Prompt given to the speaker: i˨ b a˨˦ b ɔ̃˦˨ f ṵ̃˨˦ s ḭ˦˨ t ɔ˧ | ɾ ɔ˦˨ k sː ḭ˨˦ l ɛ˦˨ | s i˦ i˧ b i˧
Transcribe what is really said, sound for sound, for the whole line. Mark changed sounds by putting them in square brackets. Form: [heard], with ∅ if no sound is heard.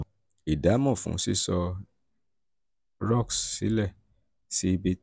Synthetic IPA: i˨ [d] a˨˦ [m] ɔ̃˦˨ f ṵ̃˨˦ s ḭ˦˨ [s] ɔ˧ | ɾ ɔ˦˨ k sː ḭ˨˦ l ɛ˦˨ | s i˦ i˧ b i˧